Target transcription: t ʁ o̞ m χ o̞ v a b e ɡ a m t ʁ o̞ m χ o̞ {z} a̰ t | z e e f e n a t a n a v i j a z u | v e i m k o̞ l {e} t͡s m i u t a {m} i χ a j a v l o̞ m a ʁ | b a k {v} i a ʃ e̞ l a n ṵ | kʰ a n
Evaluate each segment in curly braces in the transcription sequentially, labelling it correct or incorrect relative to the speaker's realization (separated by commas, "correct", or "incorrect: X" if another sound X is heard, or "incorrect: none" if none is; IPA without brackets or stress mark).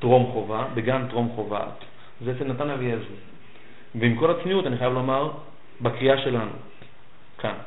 incorrect: v, incorrect: a, incorrect: n, incorrect: ʁ